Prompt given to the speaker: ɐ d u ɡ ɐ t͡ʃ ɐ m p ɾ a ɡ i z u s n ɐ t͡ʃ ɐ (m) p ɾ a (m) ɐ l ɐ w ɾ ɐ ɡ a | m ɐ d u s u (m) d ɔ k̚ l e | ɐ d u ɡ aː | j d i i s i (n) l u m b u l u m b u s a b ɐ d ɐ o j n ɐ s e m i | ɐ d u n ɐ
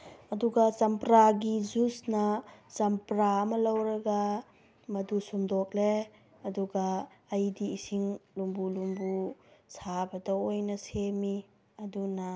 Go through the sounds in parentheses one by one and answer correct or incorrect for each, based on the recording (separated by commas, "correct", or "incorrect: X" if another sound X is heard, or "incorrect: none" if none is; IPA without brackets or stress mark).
correct, correct, correct, incorrect: ŋ